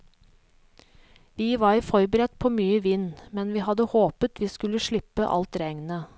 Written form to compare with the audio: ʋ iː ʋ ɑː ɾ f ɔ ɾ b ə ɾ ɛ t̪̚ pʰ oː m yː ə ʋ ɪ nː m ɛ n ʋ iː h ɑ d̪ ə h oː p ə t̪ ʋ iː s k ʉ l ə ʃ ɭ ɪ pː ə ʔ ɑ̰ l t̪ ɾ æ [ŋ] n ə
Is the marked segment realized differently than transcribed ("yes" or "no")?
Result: no